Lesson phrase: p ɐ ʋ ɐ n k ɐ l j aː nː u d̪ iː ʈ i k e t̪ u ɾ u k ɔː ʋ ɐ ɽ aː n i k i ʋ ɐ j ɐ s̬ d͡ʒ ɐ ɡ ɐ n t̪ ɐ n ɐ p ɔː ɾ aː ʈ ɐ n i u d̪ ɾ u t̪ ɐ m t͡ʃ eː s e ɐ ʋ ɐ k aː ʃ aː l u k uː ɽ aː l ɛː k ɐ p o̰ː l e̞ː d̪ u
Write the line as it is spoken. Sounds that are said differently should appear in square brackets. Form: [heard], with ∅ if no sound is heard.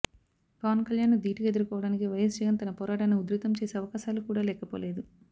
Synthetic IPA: p ɐ ʋ ɐ n k ɐ l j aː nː u d̪ iː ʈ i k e [d̪] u ɾ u k ɔː ʋ ɐ ɽ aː n i k i ʋ ɐ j ɐ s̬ d͡ʒ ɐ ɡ ɐ n t̪ ɐ n ɐ p ɔː ɾ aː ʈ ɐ n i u d̪ ɾ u t̪ ɐ m t͡ʃ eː s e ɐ ʋ ɐ k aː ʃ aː l u k uː ɽ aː l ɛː k ɐ p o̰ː l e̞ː d̪ u